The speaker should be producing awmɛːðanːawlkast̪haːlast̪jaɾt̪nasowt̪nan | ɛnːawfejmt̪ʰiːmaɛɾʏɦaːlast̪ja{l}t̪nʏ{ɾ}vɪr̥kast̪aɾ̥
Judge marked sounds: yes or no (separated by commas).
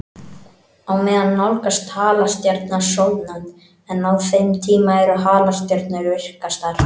no, yes